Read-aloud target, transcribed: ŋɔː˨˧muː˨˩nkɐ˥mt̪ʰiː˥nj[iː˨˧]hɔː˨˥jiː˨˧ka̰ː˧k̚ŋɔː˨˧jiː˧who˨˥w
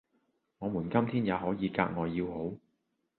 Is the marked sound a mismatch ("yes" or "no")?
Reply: yes